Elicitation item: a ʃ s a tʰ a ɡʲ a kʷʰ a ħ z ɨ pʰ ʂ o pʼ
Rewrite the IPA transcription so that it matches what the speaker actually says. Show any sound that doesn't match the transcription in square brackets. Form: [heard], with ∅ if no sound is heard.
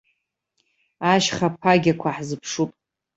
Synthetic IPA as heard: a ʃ [χ] a [pʰ] a ɡʲ a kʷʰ a ħ z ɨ pʰ ʂ [u] pʼ